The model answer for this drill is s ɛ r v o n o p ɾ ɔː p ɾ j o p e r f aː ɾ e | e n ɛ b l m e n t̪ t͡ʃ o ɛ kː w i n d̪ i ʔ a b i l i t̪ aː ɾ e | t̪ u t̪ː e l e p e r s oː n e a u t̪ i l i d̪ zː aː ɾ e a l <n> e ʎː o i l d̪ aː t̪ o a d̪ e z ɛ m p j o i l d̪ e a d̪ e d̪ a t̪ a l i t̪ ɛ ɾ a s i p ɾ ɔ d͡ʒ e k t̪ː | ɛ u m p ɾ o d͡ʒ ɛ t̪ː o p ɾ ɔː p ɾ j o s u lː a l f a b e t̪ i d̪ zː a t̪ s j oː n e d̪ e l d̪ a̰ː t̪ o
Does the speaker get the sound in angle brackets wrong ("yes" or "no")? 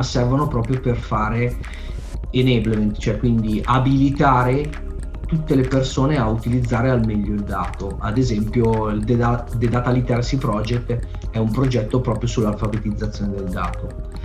yes